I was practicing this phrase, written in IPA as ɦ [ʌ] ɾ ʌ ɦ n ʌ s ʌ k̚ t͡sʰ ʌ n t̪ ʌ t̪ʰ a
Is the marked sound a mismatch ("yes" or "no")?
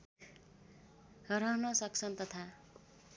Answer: no